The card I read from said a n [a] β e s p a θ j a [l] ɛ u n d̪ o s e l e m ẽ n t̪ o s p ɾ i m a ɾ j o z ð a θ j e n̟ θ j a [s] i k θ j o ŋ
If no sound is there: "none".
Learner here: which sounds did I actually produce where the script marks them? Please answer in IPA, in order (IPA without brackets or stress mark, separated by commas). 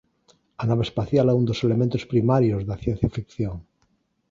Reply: a, l, f